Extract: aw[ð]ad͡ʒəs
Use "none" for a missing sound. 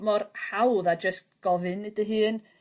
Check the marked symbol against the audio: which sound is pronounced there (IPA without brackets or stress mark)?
ð